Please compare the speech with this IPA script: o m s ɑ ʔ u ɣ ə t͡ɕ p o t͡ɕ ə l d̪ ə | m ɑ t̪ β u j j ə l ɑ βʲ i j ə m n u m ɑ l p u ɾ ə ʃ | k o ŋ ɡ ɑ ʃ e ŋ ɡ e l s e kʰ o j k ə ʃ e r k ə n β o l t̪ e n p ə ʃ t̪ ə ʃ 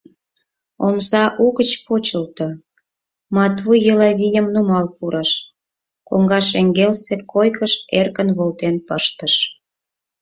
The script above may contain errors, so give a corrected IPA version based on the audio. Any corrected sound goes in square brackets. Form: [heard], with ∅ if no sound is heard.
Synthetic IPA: o m s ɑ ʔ u ɣ ə t͡ɕ p o t͡ɕ ə l [t̪] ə | m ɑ t̪ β u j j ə l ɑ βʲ i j ə m n u m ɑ l p u ɾ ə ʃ | k o ŋ ɡ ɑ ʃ e ŋ ɡ e l s e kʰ o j k ə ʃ e r k ə n β o l t̪ e n p ə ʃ t̪ ə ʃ